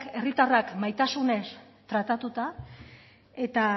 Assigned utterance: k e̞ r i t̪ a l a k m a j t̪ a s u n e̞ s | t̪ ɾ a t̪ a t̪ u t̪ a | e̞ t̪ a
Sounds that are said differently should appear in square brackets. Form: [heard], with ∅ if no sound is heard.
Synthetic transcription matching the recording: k e̞ r i t̪ a [r] a k m a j t̪ a s u n e̞ s | t̪ ɾ a t̪ a t̪ u t̪ a | e̞ t̪ a